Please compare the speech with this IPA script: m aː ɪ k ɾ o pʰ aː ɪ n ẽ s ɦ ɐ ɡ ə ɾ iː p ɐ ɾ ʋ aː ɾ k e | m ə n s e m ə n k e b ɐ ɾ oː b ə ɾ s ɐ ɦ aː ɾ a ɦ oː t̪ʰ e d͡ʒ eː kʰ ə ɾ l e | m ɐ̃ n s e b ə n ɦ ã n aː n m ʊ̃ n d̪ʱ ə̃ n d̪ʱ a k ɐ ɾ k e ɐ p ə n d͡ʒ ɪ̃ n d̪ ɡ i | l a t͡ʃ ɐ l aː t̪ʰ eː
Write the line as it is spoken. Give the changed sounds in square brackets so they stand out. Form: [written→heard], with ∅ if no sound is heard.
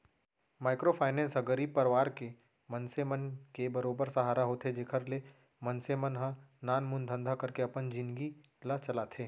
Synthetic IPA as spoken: m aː ɪ k ɾ o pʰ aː ɪ n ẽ s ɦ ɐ ɡ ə ɾ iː p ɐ ɾ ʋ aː ɾ k e | m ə n s e m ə n k e b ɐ ɾ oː b ə ɾ s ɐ ɦ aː ɾ a ɦ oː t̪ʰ e d͡ʒ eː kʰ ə ɾ l e | m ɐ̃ n s e [b→m] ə n ɦ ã n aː n m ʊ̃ n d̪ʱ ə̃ n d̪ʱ a k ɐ ɾ k e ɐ p ə n d͡ʒ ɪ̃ n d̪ ɡ i | l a t͡ʃ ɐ l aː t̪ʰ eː